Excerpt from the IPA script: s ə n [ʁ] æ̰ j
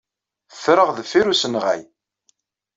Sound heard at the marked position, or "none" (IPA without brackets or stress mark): ʁ